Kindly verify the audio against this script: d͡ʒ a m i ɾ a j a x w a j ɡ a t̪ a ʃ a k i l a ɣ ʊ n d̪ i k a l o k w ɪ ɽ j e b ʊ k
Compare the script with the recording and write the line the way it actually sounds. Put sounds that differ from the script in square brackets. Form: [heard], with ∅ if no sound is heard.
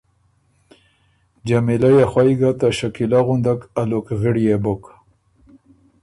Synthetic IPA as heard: d͡ʒ a m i [l] a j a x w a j ɡ a t̪ a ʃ a k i l a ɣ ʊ n d̪ [a] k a l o k [ɣ] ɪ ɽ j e b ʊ k

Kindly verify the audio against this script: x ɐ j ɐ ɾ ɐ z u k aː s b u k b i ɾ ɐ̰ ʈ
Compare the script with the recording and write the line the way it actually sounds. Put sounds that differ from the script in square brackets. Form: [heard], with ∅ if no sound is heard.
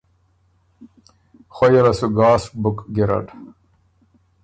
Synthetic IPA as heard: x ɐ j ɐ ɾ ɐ [s] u [ɡ] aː s b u k [ɡ] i ɾ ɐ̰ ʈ

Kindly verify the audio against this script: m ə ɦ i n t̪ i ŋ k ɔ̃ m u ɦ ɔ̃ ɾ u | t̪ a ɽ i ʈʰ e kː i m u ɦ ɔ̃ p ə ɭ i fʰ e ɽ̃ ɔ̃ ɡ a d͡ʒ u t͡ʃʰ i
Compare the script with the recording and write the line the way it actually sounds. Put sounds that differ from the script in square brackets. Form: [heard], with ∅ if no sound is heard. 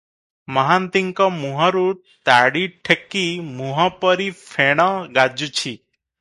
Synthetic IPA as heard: m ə ɦ [a] n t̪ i ŋ k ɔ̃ m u ɦ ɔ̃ ɾ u | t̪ a ɽ i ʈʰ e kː i m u ɦ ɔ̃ p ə [ɾ] i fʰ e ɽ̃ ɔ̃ ɡ a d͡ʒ u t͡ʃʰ i

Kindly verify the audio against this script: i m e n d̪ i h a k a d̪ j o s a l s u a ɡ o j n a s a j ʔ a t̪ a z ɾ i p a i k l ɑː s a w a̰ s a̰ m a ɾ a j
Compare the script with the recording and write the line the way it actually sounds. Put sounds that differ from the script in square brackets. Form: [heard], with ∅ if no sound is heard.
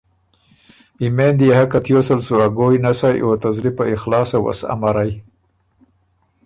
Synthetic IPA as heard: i m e n d̪ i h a k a [t̪] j o s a l s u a ɡ o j n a s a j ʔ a t̪ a z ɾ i p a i [x] l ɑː s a w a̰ s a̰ m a ɾ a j

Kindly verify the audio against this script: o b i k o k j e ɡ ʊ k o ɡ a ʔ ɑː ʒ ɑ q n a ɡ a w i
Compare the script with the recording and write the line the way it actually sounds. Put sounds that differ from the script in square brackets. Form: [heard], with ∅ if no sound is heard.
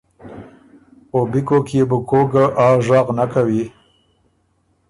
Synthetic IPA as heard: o b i k o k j e [b] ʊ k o ɡ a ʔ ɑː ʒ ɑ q n a [k] a w i

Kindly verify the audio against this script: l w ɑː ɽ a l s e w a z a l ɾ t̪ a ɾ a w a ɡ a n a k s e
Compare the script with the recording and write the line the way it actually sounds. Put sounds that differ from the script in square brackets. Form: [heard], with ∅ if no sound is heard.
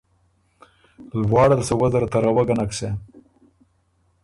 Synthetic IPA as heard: l w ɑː ɽ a l s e w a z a [∅] ɾ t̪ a ɾ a w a ɡ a n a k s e

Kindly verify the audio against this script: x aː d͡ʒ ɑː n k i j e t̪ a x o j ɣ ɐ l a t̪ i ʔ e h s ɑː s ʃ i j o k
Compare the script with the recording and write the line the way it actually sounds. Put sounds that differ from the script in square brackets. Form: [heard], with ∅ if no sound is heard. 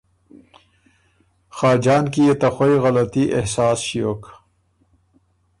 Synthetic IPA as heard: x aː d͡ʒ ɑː n k i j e t̪ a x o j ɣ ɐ l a t̪ i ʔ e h s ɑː s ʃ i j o k

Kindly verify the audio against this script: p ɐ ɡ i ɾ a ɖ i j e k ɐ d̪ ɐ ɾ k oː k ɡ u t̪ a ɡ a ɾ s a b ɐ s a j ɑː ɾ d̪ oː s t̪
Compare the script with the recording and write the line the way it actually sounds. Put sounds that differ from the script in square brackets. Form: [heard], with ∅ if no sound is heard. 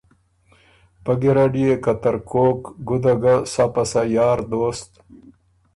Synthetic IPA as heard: p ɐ ɡ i ɾ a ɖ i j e k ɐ [t̪] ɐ ɾ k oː k ɡ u [d̪] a ɡ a [∅] s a [p] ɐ s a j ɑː ɾ d̪ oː s t̪

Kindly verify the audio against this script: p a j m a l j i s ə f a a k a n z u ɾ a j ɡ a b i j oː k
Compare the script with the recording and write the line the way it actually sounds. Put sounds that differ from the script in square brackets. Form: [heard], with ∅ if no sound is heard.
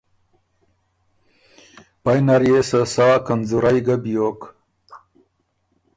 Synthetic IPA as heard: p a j [n] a [ɾ] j [e] s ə [s] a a k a n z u ɾ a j ɡ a b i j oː k

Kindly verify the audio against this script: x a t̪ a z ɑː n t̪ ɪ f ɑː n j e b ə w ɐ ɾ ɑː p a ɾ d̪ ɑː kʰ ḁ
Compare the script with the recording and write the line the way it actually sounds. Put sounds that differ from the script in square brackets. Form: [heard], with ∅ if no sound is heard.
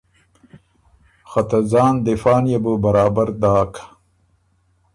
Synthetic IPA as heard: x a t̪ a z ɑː n [d̪] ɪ f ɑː n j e b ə [b] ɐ ɾ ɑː [b] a ɾ d̪ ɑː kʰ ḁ

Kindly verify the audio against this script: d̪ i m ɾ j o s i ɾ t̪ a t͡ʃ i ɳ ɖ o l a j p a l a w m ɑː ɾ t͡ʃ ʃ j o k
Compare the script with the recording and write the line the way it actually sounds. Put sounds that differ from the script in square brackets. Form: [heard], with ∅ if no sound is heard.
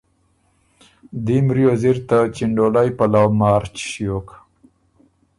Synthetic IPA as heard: d̪ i m ɾ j o [z] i ɾ t̪ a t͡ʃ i ɳ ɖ o l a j p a l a w m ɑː ɾ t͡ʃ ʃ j o k

